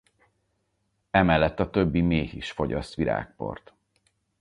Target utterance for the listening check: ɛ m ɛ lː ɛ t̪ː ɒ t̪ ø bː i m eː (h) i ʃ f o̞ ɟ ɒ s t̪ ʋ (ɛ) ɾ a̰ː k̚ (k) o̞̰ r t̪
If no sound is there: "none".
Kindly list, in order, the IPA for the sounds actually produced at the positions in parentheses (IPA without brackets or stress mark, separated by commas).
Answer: h, i, p